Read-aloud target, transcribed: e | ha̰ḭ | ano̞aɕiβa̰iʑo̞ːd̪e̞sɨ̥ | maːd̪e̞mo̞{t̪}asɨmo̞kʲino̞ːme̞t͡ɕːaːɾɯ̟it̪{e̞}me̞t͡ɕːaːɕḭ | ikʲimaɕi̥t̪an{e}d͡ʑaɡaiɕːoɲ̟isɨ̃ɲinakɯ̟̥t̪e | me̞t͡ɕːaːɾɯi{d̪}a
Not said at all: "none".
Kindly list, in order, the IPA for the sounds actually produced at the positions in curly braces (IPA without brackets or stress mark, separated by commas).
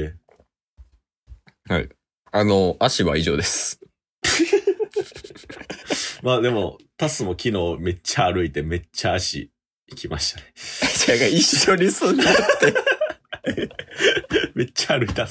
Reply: t̪, e̞, e, t̪